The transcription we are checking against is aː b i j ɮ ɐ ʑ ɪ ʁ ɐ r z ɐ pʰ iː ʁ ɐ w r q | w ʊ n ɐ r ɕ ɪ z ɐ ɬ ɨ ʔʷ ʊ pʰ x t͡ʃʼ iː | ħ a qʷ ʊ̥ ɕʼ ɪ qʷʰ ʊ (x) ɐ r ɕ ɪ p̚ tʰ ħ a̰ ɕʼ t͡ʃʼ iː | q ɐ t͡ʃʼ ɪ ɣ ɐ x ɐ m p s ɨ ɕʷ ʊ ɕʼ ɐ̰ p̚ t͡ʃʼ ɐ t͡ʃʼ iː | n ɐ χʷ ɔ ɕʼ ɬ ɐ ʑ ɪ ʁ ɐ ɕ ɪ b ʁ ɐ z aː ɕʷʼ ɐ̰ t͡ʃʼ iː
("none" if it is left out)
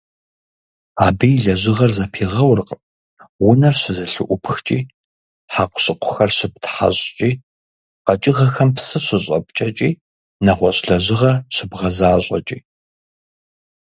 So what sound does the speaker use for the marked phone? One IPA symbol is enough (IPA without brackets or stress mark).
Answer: x